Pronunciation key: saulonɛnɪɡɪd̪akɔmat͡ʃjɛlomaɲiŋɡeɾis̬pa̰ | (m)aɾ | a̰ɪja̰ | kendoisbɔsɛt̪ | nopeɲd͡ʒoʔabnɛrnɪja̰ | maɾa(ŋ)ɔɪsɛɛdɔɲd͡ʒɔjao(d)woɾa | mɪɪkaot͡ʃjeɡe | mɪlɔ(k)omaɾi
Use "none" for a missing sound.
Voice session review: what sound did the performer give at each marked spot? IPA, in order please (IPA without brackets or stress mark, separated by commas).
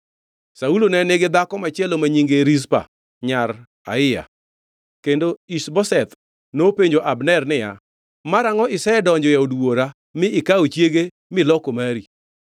ɲ, ŋ, d, k